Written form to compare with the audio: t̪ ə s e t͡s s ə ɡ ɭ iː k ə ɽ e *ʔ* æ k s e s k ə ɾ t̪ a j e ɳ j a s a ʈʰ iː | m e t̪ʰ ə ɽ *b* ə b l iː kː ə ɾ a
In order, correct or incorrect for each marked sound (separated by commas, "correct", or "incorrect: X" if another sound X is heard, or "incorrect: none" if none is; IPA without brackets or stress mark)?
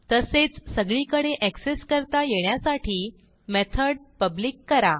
correct, incorrect: p